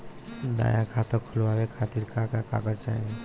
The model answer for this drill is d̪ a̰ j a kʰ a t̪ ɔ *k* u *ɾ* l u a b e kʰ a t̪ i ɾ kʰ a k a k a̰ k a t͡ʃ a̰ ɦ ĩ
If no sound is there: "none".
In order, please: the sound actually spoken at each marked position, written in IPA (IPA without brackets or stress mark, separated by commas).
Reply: kʰ, none